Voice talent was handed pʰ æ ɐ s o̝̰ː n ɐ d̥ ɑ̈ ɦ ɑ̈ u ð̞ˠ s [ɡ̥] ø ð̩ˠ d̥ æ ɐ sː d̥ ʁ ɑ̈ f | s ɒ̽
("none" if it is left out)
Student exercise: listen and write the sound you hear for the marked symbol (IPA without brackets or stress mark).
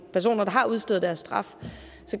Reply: d̥